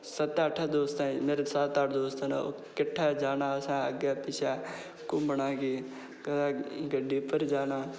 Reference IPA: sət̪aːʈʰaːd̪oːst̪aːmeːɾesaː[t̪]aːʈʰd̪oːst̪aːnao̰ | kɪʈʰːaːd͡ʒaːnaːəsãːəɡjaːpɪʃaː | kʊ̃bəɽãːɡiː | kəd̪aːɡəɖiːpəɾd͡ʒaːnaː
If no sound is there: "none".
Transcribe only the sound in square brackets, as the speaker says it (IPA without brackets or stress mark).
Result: t̪